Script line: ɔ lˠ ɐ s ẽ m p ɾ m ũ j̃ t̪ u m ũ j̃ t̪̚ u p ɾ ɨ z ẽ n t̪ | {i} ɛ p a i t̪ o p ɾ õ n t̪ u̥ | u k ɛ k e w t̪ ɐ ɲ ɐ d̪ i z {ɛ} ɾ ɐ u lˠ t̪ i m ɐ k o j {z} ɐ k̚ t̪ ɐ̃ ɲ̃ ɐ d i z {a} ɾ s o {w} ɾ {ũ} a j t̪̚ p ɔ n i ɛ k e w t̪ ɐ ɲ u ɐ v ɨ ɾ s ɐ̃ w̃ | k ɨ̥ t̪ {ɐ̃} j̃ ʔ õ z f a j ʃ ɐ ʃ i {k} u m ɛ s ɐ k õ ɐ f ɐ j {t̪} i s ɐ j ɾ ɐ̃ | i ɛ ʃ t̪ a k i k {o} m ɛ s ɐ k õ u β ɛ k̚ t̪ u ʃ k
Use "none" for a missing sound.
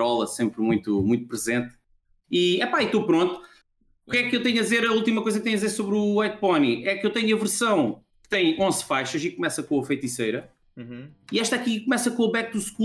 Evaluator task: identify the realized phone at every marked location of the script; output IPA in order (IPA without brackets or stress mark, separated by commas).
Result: i, e, z, e, β, u, ɐ̃, k, t̪, u